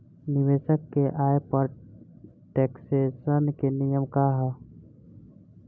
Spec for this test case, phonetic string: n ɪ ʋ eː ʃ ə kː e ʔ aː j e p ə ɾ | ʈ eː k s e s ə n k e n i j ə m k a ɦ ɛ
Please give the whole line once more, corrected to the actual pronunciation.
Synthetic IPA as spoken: n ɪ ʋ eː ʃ ə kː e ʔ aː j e p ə ɾ | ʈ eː k s e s ə n k e n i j ə m k a ɦ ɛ